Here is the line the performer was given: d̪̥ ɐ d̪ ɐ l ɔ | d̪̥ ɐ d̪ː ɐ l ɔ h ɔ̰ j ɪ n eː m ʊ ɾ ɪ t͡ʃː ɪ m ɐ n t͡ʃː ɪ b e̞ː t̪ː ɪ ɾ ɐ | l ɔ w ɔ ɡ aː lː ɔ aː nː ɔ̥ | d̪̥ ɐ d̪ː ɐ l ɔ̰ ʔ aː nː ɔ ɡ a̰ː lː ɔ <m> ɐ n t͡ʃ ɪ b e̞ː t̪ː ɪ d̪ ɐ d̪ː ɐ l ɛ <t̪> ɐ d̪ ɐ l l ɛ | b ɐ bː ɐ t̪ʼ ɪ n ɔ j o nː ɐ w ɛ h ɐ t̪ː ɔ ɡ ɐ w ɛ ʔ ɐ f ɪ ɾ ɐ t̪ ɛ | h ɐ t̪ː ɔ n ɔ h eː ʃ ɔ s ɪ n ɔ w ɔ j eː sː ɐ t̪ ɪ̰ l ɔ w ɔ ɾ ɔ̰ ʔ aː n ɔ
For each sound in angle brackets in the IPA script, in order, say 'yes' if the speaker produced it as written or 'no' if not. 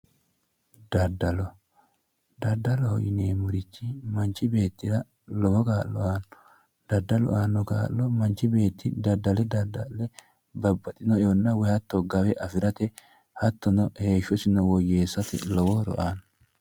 yes, no

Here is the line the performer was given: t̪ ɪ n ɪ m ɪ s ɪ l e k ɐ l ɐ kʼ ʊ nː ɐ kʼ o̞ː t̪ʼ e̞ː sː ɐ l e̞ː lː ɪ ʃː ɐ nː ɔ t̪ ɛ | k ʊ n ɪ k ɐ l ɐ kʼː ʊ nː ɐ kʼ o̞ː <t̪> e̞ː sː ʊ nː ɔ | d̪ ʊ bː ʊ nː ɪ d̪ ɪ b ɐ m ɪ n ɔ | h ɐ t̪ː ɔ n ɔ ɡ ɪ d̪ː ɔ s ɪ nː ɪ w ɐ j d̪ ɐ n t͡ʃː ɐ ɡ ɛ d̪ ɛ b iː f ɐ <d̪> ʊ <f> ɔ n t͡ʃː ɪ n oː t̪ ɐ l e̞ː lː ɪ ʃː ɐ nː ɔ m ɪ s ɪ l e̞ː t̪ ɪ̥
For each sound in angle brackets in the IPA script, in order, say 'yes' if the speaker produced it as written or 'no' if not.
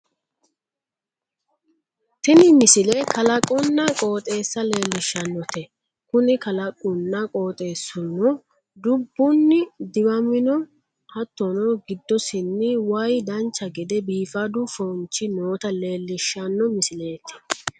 no, yes, yes

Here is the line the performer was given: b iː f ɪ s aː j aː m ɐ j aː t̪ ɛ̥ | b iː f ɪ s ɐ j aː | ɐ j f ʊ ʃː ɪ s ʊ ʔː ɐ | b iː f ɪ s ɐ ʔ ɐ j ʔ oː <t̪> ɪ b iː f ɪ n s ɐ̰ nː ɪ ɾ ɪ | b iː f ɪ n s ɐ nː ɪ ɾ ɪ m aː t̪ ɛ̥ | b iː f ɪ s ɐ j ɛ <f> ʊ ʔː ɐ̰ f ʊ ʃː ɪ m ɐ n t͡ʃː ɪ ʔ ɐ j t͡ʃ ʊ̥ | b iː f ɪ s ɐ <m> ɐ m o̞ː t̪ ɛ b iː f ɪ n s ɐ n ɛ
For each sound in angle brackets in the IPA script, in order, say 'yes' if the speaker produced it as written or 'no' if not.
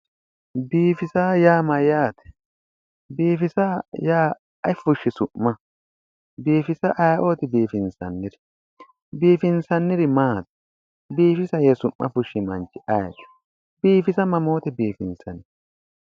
yes, no, yes

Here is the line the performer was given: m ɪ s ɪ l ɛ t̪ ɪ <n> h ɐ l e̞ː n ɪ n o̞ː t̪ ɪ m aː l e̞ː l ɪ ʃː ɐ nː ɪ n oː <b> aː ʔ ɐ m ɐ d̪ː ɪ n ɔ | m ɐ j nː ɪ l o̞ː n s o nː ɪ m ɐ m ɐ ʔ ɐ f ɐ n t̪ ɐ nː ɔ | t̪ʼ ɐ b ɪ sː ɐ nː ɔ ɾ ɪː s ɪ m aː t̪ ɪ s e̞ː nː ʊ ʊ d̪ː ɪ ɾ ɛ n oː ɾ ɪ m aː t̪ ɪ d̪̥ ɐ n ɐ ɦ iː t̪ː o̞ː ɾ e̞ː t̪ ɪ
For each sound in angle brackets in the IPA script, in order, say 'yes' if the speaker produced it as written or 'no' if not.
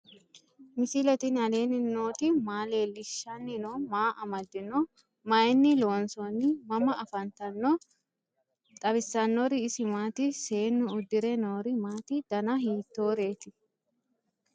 yes, no

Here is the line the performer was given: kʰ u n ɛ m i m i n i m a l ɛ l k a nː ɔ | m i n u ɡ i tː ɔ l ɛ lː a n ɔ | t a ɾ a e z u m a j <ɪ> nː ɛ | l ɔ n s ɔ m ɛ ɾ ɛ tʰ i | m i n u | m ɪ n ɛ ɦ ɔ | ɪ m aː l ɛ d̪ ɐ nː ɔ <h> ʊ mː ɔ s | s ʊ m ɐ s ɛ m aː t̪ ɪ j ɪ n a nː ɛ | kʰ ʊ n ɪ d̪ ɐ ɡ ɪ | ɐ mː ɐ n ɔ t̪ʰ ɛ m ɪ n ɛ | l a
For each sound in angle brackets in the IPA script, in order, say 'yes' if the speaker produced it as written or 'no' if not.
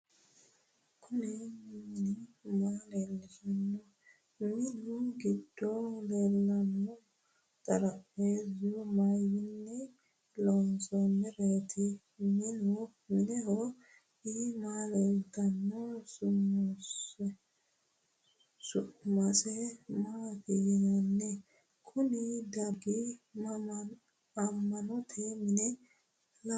no, no

